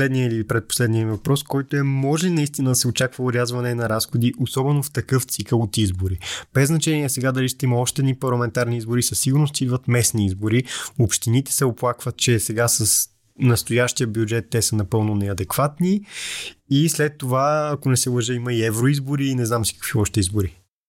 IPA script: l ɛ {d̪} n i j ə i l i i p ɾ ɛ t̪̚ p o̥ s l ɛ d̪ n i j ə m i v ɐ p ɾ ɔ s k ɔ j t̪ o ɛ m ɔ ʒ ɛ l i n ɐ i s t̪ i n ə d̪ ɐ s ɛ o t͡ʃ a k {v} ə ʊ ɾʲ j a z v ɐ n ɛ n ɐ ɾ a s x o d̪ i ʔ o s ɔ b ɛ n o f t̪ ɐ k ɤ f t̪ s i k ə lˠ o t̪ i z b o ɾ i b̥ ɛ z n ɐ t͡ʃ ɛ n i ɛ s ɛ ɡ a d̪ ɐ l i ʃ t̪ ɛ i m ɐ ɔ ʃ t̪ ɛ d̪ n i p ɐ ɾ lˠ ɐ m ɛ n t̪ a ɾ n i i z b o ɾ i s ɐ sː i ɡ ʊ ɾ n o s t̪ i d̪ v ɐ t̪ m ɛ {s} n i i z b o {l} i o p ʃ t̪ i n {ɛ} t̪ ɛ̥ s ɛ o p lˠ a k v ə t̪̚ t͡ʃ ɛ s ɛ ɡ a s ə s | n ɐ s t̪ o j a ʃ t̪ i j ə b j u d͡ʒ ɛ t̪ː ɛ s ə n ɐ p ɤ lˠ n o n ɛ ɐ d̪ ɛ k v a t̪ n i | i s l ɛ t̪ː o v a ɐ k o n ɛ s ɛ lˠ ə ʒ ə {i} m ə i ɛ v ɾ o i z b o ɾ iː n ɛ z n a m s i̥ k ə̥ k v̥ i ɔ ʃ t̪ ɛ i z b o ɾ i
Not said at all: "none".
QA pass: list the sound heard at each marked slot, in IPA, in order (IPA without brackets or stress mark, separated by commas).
d̪, v, s, ɾ, i, i